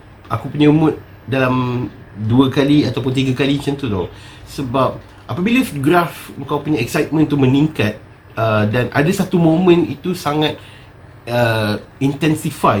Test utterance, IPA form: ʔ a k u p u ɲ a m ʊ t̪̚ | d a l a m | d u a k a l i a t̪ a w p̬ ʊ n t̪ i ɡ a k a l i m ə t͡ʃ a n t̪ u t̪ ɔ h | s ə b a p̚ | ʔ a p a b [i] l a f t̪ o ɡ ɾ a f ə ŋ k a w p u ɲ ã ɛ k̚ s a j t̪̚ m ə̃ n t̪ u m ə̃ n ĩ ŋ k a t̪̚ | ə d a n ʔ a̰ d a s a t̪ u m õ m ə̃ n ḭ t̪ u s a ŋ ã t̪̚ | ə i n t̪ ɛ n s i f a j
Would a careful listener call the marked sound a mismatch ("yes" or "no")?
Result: no